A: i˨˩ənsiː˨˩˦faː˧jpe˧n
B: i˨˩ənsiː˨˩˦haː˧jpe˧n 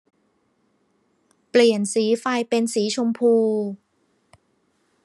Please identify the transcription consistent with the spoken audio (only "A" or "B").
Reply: A